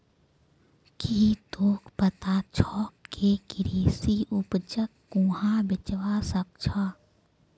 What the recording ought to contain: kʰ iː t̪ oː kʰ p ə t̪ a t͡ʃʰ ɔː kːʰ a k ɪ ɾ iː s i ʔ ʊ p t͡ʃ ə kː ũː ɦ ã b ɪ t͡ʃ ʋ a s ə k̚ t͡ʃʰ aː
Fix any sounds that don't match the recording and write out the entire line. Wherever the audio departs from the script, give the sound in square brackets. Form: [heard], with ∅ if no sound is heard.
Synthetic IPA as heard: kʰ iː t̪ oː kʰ p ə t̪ a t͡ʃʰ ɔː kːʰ [e] k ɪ ɾ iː s i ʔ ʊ p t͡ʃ ə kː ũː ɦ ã b ɪ t͡ʃ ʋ a s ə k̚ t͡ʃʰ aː